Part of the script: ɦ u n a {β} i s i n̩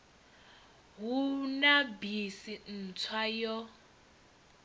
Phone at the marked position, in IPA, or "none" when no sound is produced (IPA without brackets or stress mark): b